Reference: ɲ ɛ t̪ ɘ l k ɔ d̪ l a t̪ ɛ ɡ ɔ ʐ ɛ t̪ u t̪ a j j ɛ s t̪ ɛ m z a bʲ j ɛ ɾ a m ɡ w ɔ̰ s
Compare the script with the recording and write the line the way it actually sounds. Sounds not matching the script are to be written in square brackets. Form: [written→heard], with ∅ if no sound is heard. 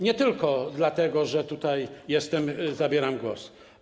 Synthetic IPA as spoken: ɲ ɛ t̪ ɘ l k ɔ d̪ l a t̪ ɛ ɡ ɔ ʐ ɛ t̪ u t̪ a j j ɛ s t̪ ɛ m z a bʲ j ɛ ɾ a m ɡ w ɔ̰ s

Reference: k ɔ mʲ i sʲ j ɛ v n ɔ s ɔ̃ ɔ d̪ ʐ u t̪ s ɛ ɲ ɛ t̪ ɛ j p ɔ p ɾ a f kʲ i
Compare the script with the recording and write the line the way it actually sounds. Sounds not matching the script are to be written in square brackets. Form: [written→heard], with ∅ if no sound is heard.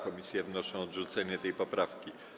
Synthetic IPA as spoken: k ɔ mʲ i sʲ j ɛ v n ɔ [s→ʂ] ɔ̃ ɔ d̪ ʐ u t̪ s ɛ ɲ ɛ t̪ ɛ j p ɔ p ɾ a f kʲ i

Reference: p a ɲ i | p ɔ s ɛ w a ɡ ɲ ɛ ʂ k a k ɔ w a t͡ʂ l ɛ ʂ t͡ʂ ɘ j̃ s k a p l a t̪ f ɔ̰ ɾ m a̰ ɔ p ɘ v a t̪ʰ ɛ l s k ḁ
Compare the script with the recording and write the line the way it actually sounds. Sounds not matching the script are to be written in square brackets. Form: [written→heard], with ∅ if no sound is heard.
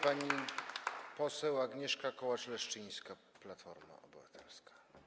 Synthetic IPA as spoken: p a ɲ i | p ɔ s ɛ w a ɡ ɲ ɛ ʂ k a k ɔ w a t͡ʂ l ɛ ʂ t͡ʂ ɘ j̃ s k a p l a t̪ f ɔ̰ ɾ m a̰ ɔ [p→b] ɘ v a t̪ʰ ɛ l s k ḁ

